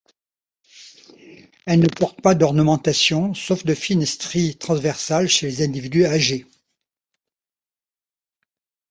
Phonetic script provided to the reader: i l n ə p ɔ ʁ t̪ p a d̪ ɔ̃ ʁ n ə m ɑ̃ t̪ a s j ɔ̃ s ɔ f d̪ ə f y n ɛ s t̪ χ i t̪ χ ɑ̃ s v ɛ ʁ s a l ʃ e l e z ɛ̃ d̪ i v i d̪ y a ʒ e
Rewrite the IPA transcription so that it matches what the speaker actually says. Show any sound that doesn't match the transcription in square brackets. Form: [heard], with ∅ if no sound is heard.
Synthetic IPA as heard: [ɛ] l n ə p ɔ ʁ t̪ p a d̪ [ɔ] ʁ n ə m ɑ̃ t̪ a s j ɔ̃ s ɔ f d̪ ə f [i] n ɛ s t̪ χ i t̪ χ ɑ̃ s v ɛ ʁ s a l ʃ e l e z ɛ̃ d̪ i v i d̪ y a ʒ e